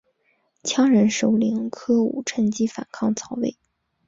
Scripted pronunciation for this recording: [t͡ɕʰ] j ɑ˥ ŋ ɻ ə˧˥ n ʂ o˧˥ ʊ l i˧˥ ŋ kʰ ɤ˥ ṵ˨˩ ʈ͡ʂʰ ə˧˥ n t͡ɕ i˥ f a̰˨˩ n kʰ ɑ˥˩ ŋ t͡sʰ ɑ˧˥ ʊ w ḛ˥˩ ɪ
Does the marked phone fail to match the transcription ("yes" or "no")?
no